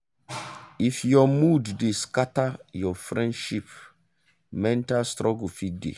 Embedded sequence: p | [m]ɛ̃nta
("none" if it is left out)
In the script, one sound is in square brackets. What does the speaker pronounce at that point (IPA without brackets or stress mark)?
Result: m